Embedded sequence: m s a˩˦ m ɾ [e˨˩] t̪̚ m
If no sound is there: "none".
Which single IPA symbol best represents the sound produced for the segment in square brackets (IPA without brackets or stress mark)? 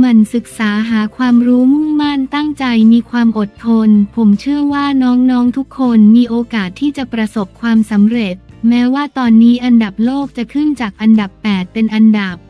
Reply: e˨˩